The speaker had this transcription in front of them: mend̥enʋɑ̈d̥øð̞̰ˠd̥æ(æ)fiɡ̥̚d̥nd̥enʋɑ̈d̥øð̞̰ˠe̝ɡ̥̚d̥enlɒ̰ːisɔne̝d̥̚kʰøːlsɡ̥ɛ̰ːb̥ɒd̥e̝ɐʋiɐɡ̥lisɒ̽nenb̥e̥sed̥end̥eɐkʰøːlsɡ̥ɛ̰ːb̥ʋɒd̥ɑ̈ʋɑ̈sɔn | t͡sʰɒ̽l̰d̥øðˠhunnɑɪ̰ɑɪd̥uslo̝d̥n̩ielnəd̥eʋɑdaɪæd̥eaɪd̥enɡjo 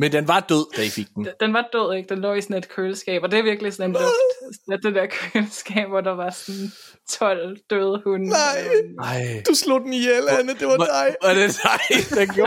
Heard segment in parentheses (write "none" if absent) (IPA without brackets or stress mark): i